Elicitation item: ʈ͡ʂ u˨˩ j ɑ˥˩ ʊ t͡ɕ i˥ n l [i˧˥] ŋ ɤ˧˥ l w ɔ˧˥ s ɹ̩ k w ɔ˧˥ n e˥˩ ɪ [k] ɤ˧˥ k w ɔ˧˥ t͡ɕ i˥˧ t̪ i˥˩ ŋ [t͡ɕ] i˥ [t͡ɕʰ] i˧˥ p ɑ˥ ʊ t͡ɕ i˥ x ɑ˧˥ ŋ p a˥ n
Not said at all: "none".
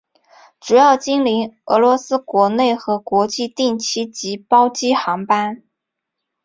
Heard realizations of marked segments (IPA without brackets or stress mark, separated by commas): i˧˥, x, t͡ɕʰ, t͡ɕ